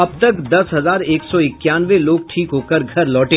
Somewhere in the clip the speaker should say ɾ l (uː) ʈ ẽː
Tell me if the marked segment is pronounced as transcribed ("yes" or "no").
no